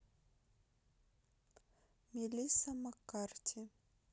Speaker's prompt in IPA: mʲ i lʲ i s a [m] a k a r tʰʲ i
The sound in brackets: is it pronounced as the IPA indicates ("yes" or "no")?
yes